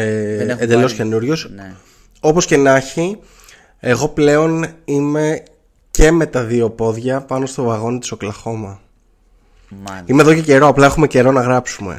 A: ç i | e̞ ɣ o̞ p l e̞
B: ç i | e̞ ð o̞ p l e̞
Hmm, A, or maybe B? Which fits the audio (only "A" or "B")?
A